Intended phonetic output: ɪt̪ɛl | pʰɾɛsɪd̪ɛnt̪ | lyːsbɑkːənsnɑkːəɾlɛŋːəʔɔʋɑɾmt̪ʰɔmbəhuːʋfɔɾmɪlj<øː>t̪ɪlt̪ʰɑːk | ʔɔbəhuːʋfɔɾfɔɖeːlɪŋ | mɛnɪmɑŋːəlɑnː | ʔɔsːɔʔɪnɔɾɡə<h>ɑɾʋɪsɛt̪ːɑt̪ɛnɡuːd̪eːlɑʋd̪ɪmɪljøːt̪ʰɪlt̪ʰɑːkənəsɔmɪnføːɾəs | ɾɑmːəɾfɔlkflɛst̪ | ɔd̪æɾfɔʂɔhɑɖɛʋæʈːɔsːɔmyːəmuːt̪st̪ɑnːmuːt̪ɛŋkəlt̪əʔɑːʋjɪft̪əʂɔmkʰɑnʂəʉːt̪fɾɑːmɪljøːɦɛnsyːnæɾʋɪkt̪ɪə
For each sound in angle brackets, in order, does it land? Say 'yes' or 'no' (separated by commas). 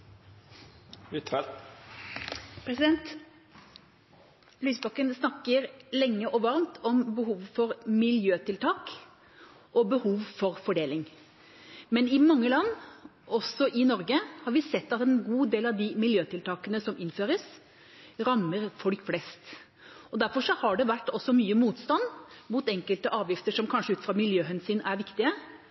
yes, yes